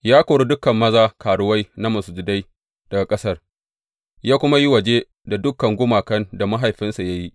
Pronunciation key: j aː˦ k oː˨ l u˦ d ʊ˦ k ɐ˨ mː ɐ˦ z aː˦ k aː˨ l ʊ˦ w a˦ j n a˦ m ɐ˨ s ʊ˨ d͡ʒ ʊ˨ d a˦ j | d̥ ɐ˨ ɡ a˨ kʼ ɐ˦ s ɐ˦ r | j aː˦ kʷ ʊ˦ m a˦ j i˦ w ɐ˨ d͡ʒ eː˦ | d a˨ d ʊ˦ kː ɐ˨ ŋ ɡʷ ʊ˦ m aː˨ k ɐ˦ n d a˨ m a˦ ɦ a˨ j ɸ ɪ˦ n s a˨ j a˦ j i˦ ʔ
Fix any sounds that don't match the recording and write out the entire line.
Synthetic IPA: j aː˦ k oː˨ ɽ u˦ d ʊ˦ k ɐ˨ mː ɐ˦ z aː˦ k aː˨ ɽ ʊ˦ w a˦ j n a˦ m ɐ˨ s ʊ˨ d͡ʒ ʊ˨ d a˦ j | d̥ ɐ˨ ɡ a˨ kʼ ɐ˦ s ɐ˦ r | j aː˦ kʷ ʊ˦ m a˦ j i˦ w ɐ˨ d͡ʒ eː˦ | d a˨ d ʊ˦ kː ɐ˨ ŋ ɡʷ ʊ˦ m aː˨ k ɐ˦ n d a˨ m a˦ ɦ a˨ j ɸ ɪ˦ n s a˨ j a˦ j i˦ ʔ